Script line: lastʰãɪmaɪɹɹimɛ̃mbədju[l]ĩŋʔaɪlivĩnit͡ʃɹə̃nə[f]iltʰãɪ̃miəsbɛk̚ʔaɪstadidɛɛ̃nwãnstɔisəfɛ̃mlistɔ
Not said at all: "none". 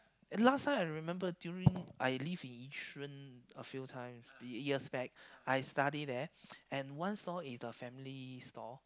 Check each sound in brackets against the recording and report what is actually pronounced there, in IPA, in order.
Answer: ɹ, f

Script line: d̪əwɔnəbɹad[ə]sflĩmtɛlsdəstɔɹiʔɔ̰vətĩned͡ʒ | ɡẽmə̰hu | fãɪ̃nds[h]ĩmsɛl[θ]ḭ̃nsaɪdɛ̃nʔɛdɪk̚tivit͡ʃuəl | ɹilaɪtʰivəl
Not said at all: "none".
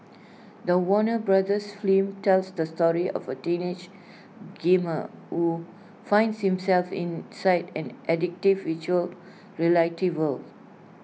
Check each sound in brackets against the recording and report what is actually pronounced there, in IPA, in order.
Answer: ə, h, f

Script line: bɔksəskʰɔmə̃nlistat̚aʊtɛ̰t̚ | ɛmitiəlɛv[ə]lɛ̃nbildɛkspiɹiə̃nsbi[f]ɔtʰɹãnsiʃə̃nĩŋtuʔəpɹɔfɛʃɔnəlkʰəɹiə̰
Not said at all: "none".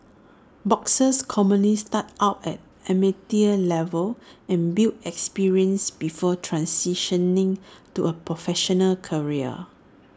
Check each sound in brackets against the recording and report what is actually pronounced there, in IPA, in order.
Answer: ə, f

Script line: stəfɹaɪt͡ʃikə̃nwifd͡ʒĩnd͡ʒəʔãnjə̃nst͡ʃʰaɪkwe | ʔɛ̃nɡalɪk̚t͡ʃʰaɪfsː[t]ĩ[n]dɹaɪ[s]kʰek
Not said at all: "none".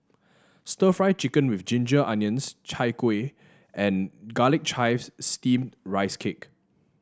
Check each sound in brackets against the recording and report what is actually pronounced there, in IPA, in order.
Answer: t, m, s

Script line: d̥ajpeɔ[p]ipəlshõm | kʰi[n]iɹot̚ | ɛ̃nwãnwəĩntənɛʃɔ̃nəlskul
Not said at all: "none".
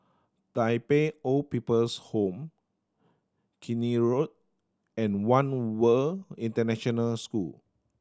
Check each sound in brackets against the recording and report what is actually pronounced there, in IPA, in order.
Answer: p, n

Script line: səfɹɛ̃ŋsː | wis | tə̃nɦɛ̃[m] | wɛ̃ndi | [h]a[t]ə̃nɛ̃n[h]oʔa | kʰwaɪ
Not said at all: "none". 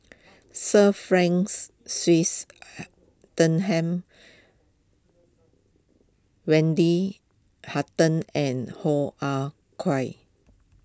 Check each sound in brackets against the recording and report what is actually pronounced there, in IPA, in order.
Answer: m, h, t, h

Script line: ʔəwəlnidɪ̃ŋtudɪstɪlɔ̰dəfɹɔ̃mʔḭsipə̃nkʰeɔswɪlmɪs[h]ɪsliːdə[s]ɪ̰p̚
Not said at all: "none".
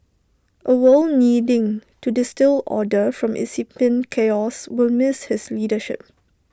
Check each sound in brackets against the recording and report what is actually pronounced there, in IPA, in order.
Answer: h, ʃ

